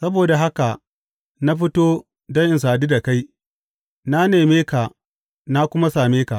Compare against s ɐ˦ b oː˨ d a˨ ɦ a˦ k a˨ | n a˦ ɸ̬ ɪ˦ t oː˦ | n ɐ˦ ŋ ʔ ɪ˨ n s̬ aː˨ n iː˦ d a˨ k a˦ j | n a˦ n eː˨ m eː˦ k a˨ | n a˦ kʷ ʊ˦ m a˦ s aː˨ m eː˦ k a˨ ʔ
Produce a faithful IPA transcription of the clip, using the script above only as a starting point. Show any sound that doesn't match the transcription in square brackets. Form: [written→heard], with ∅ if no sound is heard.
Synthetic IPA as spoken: s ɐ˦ b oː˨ d a˨ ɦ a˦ k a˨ | n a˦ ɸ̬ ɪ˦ t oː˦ | [n→d] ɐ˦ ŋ ʔ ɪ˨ n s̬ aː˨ n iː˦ d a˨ k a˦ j | n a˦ n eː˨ m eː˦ k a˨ | n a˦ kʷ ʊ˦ m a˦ s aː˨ m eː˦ k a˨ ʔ